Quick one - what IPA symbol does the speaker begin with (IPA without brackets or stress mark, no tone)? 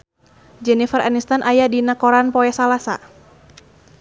d͡ʒ